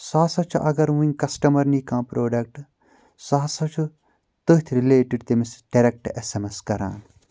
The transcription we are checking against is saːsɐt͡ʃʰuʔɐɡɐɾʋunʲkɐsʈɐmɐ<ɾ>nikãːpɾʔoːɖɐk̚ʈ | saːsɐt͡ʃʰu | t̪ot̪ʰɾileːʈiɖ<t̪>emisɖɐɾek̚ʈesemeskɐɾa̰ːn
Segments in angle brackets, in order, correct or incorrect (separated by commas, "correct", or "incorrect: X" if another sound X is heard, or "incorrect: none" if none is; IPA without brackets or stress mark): correct, correct